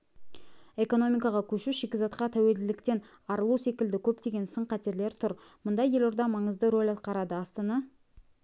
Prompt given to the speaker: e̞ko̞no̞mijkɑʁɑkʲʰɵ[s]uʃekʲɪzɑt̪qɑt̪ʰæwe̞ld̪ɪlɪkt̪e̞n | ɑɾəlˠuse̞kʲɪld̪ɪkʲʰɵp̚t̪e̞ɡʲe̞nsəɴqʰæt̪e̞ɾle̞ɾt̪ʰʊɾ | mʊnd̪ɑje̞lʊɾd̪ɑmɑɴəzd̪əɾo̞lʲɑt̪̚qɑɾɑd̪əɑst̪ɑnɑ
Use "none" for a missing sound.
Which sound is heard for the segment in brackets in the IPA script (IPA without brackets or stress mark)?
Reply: ʃ